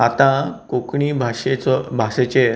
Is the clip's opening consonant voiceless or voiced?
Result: voiceless